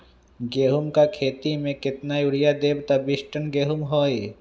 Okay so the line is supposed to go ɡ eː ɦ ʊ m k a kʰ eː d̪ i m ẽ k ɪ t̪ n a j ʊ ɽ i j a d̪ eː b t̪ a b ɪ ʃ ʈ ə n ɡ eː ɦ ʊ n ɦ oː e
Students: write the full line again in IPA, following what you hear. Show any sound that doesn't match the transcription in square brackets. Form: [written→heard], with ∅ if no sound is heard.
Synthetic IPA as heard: ɡ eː ɦ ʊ m k a kʰ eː [d̪→t̪] i m ẽ k ɪ t̪ n a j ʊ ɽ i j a d̪ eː b t̪ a b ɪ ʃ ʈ ə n ɡ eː ɦ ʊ [n→m] ɦ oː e

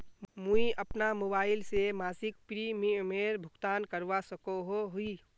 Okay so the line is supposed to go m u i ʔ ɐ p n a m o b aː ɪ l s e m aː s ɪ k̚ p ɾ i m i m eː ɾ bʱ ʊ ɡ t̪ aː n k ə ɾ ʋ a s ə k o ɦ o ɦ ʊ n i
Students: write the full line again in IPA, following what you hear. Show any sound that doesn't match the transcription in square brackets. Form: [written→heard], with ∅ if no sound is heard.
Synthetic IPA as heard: m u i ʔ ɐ p n a m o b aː ɪ l s e m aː s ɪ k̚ p ɾ i m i m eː ɾ bʱ ʊ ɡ t̪ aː n k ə ɾ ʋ a s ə k o ɦ o ɦ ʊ [n→∅] i

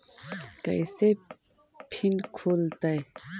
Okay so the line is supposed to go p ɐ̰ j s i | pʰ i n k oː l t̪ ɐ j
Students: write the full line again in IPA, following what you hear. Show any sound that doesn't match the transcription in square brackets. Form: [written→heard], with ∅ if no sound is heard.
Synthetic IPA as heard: [p→k] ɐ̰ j s [i→e] | pʰ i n [k→kʰ] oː l t̪ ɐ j

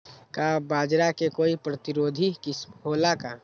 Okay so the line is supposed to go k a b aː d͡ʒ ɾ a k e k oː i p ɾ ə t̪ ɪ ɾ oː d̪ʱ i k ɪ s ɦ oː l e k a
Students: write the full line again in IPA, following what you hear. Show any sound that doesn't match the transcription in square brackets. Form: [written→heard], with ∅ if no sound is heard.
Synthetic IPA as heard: k a b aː d͡ʒ ɾ a k e k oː i p ɾ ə t̪ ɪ ɾ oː d̪ʱ i k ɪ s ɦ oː l [e→a] k a

